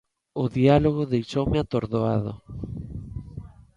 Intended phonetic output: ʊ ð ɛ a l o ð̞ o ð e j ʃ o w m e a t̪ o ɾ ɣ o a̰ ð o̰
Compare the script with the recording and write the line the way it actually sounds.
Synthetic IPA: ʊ ð i a l o ɣ̞ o ð e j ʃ o w m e a t̪ o ɾ ð o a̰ ð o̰